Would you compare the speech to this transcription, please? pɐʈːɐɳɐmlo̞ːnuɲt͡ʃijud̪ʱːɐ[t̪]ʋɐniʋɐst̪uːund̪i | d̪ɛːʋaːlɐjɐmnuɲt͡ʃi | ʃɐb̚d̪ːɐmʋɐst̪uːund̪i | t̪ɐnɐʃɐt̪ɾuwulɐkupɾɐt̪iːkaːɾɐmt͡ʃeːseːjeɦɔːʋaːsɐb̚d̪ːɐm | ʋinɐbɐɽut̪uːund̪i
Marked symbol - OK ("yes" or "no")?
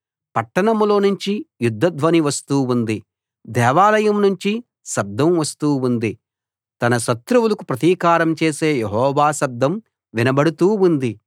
no